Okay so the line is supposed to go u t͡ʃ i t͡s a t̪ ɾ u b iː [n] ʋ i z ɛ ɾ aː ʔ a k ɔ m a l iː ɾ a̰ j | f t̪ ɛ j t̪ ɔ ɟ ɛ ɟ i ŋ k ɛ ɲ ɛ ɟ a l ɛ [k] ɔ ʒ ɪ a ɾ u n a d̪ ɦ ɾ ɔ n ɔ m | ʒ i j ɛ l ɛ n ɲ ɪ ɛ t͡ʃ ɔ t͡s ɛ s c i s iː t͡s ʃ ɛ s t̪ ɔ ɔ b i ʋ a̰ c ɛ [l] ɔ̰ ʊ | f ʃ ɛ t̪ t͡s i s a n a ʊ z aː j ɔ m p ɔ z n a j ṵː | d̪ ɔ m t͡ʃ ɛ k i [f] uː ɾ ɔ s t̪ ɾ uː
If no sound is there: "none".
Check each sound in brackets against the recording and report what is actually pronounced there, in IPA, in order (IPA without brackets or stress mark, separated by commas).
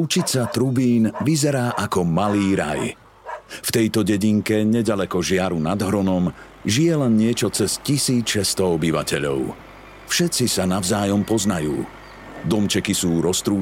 n, k, ʎ, s